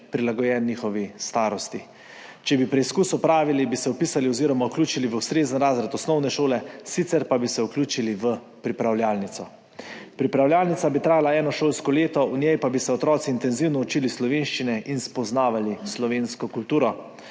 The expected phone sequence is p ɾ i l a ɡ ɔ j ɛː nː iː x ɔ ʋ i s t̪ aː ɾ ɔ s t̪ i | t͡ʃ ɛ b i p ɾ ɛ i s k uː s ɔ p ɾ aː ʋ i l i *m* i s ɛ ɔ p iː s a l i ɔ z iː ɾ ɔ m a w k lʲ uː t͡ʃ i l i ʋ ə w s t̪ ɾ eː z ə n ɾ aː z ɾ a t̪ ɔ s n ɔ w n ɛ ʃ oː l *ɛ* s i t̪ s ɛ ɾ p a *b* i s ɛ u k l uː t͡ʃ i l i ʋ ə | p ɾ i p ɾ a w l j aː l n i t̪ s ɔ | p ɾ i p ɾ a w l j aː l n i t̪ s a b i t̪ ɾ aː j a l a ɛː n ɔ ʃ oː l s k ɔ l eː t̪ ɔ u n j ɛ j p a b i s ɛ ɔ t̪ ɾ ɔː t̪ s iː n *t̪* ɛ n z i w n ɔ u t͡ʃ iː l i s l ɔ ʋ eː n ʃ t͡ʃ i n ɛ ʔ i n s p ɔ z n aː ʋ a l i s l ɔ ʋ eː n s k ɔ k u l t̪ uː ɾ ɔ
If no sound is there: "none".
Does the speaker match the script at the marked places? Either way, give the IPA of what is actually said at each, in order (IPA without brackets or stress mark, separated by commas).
b, ɛ, b, t̪